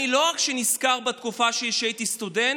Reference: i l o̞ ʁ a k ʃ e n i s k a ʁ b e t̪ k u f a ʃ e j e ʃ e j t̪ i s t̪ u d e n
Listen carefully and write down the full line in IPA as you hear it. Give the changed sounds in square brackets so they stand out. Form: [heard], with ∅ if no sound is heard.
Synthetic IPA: i l o̞ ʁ a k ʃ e n i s k a ʁ b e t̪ k u f a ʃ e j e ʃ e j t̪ i s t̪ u d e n